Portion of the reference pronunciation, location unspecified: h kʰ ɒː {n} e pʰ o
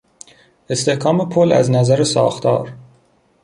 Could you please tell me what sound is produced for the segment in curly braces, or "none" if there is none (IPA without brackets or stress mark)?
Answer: m